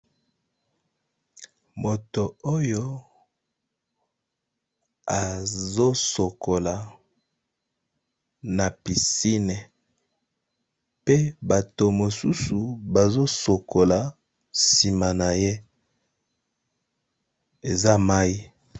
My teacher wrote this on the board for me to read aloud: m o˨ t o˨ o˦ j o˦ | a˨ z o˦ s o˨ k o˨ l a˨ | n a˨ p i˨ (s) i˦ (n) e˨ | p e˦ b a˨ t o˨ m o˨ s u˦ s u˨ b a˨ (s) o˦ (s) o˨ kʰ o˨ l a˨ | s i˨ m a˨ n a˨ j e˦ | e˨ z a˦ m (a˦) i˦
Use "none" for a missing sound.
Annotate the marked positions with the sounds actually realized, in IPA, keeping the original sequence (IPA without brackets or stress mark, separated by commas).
s, n, z, s, a˦